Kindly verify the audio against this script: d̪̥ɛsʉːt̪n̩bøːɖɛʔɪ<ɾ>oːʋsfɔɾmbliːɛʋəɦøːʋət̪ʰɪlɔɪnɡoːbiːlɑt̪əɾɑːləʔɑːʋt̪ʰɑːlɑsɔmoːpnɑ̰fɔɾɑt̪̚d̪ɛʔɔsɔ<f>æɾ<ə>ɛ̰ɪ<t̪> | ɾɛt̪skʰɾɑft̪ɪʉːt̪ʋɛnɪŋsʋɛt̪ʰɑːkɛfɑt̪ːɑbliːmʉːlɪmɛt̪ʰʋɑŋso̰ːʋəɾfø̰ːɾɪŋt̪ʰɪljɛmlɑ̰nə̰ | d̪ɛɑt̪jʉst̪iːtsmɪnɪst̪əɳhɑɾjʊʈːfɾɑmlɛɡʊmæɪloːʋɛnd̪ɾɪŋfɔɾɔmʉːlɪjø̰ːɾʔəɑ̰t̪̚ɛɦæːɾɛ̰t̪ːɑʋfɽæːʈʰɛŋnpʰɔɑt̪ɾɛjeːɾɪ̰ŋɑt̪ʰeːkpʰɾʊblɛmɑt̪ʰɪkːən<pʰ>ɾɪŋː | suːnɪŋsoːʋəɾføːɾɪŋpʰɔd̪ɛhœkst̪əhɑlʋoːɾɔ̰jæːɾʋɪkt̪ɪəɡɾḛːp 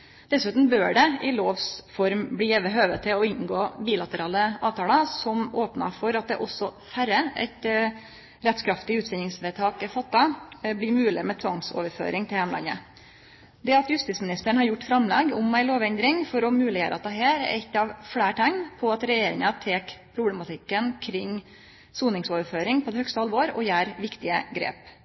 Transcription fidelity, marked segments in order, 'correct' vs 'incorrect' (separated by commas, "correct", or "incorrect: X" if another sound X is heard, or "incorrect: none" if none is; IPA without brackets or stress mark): incorrect: l, correct, correct, correct, incorrect: kʰ